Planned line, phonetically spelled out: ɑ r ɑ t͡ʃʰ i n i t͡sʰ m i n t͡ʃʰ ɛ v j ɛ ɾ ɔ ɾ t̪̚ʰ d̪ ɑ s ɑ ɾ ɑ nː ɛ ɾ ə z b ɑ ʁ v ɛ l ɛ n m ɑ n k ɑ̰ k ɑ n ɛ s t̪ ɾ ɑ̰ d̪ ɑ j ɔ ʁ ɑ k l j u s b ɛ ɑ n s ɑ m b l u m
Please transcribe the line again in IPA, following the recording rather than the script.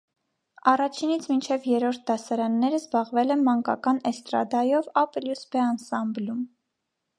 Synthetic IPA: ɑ r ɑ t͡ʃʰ i n i t͡sʰ m i n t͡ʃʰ ɛ v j ɛ ɾ ɔ ɾ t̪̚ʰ d̪ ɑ s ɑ ɾ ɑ nː ɛ ɾ ə z b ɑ ʁ v ɛ l ɛ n m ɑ ŋ k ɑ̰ k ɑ n ɛ s t̪ ɾ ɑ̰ d̪ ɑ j ɔ v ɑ p l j u s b ɛ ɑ n s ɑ m b l u m